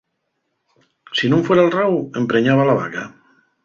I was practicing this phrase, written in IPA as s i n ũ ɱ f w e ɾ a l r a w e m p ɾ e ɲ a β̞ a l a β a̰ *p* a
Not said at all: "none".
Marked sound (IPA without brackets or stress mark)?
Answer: k